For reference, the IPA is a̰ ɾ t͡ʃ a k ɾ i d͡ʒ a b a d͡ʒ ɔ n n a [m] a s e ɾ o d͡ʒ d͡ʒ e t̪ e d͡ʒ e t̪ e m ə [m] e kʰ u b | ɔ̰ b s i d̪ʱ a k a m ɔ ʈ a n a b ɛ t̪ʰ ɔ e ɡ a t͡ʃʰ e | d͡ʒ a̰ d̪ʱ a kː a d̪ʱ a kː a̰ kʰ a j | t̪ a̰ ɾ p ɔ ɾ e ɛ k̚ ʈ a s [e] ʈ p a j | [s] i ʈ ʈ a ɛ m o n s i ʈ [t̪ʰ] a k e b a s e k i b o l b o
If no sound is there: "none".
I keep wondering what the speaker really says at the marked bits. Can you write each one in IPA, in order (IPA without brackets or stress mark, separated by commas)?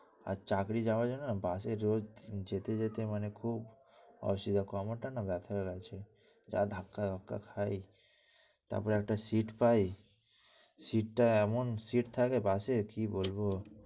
b, n, i, s, t̪ʰ